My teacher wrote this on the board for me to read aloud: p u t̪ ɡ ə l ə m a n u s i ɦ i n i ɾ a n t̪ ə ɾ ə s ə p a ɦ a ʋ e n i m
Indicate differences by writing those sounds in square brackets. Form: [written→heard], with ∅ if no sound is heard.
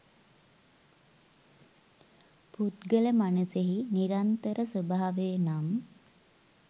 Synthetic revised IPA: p u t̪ ɡ ə l ə m a n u s [i→e] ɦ i n i ɾ a n t̪ ə ɾ ə s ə [p→b] a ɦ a ʋ e n [i→a] m

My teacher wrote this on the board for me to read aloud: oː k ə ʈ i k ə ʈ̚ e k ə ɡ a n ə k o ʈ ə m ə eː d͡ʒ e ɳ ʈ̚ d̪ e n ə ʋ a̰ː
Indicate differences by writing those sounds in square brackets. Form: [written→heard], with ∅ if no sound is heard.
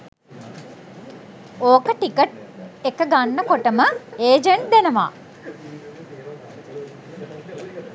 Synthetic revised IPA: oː k ə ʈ i k ə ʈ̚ e k ə ɡ a [n→nː] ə k o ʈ ə m ə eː d͡ʒ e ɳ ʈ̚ d̪ e n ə ʋ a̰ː

